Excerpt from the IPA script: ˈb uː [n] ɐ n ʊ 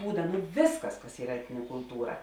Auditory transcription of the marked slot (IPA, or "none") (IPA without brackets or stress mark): d